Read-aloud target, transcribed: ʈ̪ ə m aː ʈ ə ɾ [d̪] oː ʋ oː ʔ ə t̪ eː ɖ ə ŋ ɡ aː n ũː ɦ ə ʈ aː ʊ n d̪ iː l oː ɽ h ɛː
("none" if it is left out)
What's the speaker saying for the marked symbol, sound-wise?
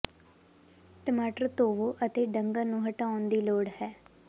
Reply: t̪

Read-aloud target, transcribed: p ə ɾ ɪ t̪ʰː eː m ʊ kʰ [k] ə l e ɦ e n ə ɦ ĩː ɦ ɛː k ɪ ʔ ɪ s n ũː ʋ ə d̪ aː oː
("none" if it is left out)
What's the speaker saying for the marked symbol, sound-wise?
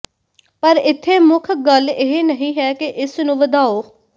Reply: ɡ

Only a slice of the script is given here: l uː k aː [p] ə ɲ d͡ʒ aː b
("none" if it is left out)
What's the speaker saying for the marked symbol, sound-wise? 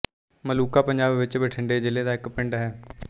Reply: p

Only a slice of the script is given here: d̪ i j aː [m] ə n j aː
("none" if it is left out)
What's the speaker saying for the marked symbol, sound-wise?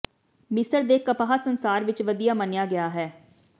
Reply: m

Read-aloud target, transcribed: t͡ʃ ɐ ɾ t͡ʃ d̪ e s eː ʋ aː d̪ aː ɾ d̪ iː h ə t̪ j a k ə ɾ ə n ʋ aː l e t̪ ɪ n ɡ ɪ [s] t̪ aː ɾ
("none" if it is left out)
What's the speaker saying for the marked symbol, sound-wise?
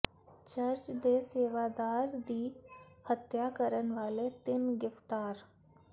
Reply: f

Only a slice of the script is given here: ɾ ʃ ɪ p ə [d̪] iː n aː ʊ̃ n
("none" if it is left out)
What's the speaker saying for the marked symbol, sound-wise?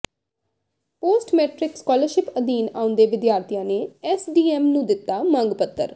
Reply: d̪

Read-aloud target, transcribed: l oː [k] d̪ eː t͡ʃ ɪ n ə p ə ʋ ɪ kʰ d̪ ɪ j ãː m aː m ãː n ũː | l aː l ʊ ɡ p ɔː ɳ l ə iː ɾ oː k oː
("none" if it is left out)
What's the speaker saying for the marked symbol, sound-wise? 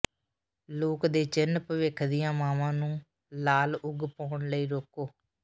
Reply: k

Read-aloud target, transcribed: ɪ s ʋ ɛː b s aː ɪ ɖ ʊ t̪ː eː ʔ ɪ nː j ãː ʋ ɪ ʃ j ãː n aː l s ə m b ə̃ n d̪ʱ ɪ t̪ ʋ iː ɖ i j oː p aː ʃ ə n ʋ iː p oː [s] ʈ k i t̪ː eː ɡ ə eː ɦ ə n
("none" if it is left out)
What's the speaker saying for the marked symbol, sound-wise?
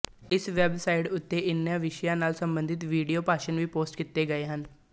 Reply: s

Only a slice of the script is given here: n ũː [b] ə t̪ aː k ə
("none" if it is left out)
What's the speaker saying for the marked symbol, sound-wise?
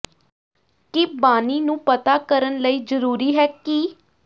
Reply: p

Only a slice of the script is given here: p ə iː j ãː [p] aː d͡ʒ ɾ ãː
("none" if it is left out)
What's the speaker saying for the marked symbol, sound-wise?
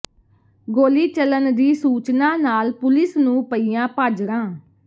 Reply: p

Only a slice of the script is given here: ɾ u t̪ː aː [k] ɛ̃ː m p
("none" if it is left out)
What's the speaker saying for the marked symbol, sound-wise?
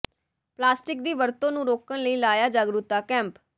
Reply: k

